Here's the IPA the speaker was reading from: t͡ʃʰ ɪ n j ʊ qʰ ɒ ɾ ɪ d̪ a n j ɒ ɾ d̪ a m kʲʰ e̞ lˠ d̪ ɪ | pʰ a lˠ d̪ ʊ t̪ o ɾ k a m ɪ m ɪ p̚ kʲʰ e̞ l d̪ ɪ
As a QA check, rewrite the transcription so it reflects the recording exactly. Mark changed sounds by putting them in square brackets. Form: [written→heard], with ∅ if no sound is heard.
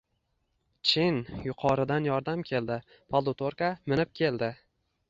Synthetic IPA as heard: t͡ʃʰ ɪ n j ʊ qʰ ɒ ɾ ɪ d̪ a n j ɒ ɾ d̪ a m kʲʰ e̞ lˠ d̪ ɪ | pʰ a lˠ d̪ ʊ t̪ o ɾ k a m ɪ [m→n] ɪ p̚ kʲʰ e̞ l d̪ ɪ

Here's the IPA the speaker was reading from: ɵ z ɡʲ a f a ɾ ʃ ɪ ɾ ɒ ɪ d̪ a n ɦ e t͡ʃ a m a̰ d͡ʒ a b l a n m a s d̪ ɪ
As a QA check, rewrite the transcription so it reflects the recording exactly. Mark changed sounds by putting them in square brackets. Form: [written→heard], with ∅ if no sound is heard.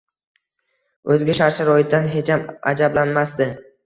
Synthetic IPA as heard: ɵ z ɡʲ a [f→ʃ] a ɾ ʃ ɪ ɾ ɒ ɪ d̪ a n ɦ e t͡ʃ a m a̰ d͡ʒ a b l a n m a s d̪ ɪ

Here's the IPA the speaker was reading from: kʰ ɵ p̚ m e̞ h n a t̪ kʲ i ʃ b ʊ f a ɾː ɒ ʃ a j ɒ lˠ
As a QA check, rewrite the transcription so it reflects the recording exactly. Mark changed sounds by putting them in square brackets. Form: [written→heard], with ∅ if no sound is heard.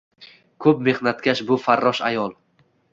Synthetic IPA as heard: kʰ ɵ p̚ m e̞ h n a t̪ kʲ [i→a] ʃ b ʊ f a ɾː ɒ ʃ a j ɒ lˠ

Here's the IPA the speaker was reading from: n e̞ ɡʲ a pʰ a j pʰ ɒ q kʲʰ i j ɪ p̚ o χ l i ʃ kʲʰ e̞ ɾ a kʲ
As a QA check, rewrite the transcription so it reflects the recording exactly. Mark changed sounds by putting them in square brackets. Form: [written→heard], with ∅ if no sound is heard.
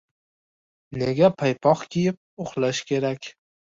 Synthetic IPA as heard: n e̞ ɡʲ a pʰ a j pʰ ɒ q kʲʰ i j ɪ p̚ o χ l [i→a] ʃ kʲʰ e̞ ɾ a kʲ

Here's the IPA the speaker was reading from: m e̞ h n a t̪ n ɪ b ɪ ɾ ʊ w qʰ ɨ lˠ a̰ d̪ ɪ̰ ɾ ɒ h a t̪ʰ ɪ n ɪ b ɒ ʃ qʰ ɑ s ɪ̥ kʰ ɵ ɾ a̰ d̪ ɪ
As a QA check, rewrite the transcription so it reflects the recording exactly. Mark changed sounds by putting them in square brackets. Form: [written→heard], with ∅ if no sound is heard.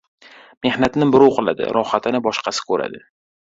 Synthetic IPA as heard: m e̞ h n a t̪ n ɪ b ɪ ɾ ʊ w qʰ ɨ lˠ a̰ d̪ ɪ̰ ɾ ɒ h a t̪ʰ ɪ n ɪ b ɒ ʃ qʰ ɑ s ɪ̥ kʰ ɵ ɾ a̰ d̪ ɪ

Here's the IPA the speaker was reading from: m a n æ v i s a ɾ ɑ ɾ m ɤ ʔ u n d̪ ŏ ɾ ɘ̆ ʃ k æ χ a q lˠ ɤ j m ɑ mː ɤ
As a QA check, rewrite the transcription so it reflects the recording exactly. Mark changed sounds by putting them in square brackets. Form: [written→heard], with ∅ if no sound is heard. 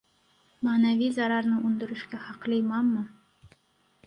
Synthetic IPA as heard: m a n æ v i [s→z] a ɾ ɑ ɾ [m→n] ɤ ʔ u n d̪ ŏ ɾ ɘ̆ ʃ k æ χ [a→ɑ] q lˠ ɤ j m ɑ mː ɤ

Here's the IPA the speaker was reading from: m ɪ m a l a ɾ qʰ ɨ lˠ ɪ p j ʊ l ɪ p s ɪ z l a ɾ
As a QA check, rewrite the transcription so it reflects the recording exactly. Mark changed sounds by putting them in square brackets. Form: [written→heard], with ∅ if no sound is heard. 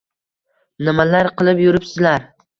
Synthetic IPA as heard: [m→n] ɪ m a l a ɾ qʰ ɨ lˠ ɪ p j ʊ [l→ɾ] ɪ p s ɪ z l a ɾ

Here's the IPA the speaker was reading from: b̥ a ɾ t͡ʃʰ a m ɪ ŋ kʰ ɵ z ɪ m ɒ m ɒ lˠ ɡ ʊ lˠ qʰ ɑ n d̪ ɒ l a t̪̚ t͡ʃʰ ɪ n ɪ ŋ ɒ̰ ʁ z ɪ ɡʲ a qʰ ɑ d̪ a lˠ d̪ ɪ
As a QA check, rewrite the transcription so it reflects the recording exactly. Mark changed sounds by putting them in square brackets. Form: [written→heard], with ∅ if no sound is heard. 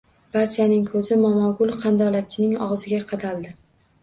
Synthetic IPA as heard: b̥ a ɾ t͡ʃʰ a [m→n] ɪ ŋ kʰ ɵ z ɪ m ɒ m ɒ [lˠ→∅] ɡ ʊ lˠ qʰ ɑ n d̪ ɒ l a t̪̚ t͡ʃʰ ɪ n ɪ ŋ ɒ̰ ʁ z ɪ ɡʲ a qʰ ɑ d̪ a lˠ d̪ ɪ

